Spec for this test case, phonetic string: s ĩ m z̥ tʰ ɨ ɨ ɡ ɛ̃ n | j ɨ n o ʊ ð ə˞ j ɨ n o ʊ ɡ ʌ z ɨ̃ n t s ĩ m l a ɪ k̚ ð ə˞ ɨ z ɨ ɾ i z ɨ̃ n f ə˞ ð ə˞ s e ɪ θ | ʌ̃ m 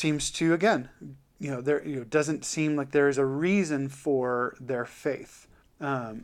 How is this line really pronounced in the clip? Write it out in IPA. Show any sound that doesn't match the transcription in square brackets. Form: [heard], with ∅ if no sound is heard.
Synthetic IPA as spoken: s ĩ m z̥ tʰ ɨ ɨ ɡ ɛ̃ n | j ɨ n o ʊ ð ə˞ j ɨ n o ʊ [d] ʌ z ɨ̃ n t s ĩ m l a ɪ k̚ ð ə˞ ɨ z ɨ [ɹ] i z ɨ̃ n f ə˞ ð ə˞ [f] e ɪ θ | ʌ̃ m